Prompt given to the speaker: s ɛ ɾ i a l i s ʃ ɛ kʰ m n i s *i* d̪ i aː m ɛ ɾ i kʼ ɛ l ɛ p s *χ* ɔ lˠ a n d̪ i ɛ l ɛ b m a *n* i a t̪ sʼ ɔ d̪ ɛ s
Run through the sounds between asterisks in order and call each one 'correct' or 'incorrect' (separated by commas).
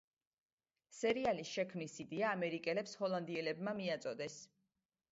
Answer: correct, incorrect, incorrect